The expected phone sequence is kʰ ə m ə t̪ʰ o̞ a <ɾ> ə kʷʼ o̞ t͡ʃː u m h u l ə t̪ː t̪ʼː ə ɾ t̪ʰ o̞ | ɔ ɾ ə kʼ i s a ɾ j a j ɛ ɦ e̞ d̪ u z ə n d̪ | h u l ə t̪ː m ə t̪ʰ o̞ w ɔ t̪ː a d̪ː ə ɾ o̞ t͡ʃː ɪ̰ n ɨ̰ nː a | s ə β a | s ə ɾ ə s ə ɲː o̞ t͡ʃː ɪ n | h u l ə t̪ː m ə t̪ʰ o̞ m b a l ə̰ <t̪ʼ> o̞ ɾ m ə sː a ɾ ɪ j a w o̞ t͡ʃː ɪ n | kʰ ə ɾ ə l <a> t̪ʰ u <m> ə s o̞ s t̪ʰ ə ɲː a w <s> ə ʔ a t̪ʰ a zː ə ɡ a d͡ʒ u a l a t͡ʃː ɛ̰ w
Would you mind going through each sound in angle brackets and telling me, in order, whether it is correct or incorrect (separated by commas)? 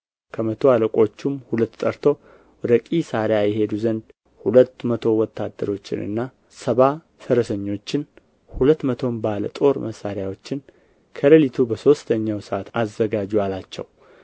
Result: incorrect, correct, incorrect, incorrect, correct